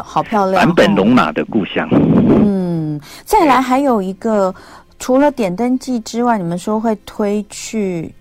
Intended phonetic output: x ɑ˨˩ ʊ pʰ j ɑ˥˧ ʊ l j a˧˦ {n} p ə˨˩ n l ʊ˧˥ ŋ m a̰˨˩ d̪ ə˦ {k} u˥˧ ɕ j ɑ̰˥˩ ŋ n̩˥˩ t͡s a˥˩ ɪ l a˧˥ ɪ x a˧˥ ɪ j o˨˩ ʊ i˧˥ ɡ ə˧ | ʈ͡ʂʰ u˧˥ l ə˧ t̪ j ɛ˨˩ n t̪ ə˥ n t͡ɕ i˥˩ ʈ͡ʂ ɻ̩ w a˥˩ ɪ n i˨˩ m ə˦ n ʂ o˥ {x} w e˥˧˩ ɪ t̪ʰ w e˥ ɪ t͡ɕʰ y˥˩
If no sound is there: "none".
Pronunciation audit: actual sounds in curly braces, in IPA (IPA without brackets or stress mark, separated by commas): n, k, x